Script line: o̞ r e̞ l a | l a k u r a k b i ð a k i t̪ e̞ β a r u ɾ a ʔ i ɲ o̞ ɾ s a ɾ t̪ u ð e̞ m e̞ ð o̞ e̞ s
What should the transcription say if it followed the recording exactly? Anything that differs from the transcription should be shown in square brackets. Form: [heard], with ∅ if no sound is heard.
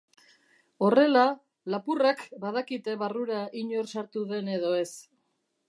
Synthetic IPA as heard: o̞ r e̞ l a | l a [p] u r a k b [a] ð a k i t̪ e̞ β a r u ɾ a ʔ i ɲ o̞ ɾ s a ɾ t̪ u ð e̞ [n] e̞ ð o̞ e̞ s